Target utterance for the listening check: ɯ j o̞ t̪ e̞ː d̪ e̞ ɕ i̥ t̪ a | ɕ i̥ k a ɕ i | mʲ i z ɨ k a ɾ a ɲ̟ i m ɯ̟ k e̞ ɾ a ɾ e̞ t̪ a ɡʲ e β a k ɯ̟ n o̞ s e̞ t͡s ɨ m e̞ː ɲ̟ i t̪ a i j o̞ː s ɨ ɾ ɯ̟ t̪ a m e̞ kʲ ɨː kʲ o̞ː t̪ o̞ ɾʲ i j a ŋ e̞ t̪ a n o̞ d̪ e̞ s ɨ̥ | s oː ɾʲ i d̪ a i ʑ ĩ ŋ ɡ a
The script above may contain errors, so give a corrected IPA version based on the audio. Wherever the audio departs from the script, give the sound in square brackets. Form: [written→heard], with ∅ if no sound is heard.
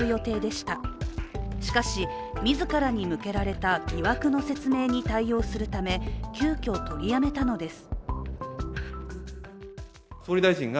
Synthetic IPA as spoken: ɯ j o̞ t̪ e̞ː d̪ e̞ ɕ i̥ t̪ a | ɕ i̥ k a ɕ i | mʲ i z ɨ k a ɾ a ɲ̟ i m ɯ̟ k e̞ ɾ a ɾ e̞ t̪ a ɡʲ [e→i] β a k ɯ̟ n o̞ s e̞ t͡s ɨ m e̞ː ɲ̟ i t̪ a i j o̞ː s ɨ ɾ ɯ̟ t̪ a m e̞ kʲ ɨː kʲ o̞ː t̪ o̞ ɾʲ i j a [ŋ→m] e̞ t̪ a n o̞ d̪ e̞ s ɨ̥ | s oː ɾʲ i d̪ a i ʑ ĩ ŋ ɡ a